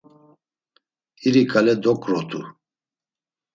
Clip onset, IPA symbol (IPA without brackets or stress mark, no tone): i